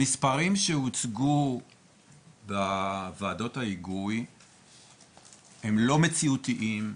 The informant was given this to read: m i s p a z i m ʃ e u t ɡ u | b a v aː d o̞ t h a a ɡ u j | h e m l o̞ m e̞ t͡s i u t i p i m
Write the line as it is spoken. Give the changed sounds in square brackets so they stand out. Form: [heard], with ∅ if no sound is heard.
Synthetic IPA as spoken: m i s p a [ʁ] i m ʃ e u [t͡s] ɡ u | b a v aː d o̞ t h a [i] ɡ u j | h e m l o̞ m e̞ t͡s i u t i [ʔ] i m